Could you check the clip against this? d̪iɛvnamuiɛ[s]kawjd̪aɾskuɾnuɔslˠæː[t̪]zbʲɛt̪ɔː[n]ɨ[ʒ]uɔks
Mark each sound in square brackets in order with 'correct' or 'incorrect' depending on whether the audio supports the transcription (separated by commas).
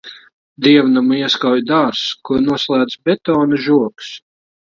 correct, incorrect, correct, correct